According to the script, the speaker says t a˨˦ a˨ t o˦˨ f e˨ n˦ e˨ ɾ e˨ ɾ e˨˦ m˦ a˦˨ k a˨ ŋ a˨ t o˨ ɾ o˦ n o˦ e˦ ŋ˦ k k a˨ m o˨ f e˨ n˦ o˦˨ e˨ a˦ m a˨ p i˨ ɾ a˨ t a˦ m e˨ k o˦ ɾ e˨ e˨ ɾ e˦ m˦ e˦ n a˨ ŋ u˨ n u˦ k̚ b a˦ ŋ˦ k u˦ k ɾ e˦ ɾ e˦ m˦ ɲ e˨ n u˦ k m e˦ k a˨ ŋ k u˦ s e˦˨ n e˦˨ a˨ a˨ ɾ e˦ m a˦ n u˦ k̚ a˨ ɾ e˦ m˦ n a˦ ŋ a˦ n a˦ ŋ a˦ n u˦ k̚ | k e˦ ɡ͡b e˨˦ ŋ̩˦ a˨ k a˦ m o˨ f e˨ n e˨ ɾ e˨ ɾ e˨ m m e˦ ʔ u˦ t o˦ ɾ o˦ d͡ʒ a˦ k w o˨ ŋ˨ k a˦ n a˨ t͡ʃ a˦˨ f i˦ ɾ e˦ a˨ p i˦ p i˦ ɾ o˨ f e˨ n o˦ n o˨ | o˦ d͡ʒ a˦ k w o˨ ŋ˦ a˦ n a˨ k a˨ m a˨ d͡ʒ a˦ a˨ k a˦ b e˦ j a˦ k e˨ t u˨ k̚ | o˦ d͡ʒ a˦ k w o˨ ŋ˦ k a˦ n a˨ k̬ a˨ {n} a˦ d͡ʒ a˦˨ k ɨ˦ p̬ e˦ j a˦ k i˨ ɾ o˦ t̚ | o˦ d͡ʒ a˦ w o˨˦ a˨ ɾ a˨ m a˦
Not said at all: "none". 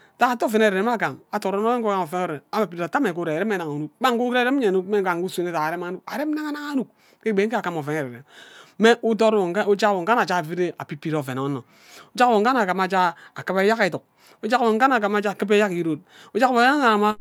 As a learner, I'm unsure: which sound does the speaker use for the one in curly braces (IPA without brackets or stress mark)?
m